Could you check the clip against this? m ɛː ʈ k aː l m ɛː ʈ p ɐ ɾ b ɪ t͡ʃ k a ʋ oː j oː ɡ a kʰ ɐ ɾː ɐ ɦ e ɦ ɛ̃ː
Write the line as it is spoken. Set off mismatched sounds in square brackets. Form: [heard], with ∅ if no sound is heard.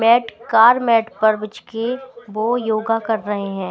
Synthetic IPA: m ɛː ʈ k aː [ɾ] m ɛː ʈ p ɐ ɾ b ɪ t͡ʃ k [e] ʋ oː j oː ɡ a [k] ɐ ɾː ɐ ɦ e ɦ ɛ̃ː